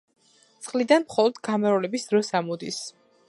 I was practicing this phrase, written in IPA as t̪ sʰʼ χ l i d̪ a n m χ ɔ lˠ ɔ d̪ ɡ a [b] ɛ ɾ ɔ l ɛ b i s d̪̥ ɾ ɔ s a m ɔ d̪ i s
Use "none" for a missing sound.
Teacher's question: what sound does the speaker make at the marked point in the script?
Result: m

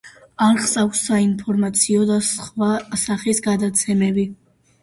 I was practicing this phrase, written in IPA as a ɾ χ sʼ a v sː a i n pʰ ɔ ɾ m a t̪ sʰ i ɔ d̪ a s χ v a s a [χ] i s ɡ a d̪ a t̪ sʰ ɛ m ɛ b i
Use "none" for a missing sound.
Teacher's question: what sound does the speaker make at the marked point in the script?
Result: χ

